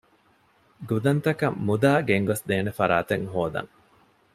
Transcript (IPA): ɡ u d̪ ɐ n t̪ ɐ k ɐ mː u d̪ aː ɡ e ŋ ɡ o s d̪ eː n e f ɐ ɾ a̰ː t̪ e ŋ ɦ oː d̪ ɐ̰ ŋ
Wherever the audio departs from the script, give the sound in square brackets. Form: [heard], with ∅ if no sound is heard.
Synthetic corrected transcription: ɡ u d̪ ɐ n t̪ ɐ k ɐ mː u d̪ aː ɡ e ŋ ɡ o s d̪ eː n e f ɐ ɾ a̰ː t̪ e ŋ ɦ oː d̪ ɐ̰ ŋ